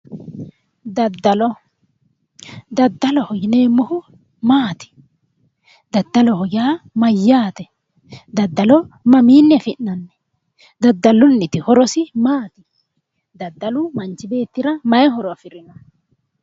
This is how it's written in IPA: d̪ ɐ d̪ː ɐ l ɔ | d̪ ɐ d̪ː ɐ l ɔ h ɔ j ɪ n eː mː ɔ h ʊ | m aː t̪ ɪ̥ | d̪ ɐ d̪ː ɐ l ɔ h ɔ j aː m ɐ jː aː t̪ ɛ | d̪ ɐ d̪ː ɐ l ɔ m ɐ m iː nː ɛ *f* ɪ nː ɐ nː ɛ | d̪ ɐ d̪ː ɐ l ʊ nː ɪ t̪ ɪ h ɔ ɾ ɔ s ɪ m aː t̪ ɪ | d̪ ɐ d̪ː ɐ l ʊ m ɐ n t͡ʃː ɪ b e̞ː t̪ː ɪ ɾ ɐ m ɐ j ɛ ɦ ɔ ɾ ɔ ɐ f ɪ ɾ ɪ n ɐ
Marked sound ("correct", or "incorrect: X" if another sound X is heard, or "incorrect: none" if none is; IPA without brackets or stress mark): correct